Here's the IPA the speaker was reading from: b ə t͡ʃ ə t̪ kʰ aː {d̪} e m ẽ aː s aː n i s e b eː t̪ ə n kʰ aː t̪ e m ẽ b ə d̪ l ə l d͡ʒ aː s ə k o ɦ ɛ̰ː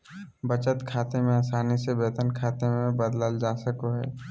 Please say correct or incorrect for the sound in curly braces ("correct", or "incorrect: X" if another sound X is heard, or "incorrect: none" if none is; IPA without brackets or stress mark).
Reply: incorrect: t̪